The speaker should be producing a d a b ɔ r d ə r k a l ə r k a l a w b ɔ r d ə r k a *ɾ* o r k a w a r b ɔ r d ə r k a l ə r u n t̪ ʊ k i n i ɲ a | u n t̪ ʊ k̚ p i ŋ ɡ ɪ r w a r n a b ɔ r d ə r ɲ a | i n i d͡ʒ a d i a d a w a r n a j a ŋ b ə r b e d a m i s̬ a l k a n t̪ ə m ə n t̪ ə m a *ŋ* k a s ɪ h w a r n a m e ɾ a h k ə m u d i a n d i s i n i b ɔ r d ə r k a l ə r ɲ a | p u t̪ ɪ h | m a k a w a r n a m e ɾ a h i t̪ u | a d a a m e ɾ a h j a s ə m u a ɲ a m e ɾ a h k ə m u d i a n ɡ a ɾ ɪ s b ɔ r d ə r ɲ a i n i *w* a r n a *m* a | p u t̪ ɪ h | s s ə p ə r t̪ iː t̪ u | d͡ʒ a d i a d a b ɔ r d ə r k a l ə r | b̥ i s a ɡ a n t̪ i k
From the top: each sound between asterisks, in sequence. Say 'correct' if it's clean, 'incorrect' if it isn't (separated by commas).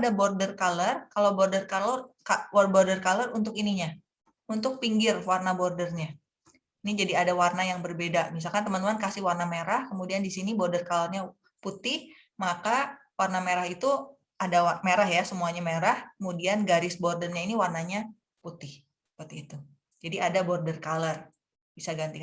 incorrect, incorrect, correct, incorrect